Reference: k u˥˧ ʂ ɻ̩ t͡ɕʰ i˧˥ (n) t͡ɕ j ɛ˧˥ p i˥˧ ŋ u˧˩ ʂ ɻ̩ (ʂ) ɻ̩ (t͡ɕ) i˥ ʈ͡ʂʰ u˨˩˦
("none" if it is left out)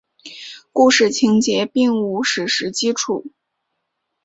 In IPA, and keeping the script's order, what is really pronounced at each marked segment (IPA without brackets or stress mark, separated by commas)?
ŋ, ʂ, t͡ɕ